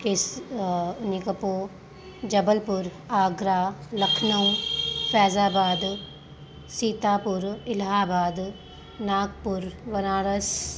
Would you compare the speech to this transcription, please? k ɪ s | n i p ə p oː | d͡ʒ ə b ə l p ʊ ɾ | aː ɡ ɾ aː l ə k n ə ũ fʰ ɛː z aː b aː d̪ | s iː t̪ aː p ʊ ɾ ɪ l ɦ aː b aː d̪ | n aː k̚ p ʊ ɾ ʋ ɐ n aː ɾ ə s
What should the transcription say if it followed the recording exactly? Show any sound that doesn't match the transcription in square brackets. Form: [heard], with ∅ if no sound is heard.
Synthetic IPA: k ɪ s | n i [k] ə p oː | d͡ʒ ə b ə l p ʊ ɾ | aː ɡ ɾ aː l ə [kʰ] n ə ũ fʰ ɛː z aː b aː d̪ | s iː t̪ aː p ʊ ɾ ɪ l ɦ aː b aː d̪ | n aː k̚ p ʊ ɾ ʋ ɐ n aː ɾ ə s